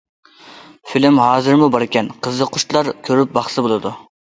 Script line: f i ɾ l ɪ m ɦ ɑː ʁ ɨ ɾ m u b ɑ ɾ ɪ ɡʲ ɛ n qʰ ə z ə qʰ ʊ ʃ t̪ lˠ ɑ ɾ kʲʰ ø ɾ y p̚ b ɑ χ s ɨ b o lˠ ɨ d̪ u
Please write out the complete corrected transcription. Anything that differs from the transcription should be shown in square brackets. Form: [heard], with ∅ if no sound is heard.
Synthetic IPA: f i [∅] l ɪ m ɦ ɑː [z] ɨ ɾ m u b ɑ ɾ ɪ [kʲ] ɛ n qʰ ə z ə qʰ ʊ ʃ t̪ lˠ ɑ ɾ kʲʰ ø ɾ y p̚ b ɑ χ s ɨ b o lˠ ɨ d̪ u